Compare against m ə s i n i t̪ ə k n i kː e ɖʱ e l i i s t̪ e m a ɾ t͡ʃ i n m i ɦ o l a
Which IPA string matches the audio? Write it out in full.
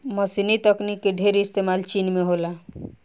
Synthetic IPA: m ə s i n i t̪ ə k n i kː e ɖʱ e ɾ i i s t̪ e m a l t͡ʃ i n m e ɦ o l a